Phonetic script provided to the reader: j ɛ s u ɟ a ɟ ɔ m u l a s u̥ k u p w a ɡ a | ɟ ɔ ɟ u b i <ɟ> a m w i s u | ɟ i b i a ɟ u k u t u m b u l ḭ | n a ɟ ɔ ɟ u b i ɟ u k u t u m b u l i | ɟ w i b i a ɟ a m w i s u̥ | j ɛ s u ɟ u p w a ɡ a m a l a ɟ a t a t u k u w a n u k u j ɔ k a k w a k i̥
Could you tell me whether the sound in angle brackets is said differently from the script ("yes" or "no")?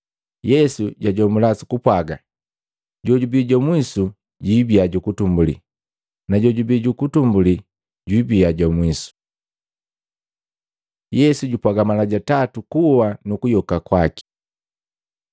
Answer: no